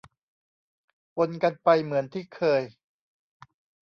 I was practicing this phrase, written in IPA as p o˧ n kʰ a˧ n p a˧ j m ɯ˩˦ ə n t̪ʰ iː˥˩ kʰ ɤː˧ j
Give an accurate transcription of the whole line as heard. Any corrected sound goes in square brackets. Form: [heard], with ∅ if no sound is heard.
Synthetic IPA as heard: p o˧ n [k] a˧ n p a˧ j m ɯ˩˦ ə n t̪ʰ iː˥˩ kʰ ɤː˧ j